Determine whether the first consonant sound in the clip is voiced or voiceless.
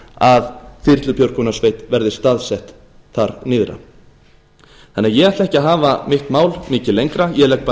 voiced